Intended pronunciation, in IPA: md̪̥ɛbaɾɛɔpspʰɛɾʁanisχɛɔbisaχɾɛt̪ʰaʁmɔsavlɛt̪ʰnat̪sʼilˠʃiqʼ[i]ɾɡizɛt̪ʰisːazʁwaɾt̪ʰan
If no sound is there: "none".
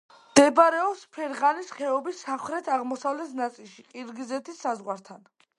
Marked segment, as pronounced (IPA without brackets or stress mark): i